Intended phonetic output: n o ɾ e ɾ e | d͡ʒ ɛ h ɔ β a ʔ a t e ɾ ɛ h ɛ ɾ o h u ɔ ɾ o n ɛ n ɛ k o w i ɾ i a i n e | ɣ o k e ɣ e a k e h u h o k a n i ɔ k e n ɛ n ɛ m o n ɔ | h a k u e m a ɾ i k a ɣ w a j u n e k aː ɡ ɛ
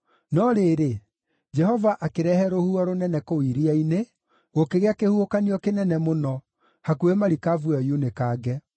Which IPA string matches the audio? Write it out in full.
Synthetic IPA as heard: n ɔ ɾ e ɾ e | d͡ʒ ɛ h ɔ v a ʔ a k e ɾ ɛ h ɛ ɾ o h u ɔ ɾ o n ɛ n ɛ k o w i ɾ i a i n e | ɣ o k e ɣ e a k e h u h o k a n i ɔ k e n ɛ n ɛ m o n ɔ | h a k u e m a ɾ i k a v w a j u n e k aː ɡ ɛ